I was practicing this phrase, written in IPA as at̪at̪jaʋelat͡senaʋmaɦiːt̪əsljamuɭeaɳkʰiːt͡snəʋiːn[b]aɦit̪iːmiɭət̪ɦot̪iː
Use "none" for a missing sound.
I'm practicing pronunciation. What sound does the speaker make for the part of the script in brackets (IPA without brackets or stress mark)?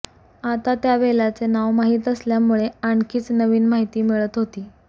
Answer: m